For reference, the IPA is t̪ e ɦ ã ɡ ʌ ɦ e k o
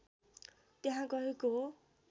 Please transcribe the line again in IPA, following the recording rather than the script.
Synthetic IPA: t̪ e ɦ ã ɡ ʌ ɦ e k o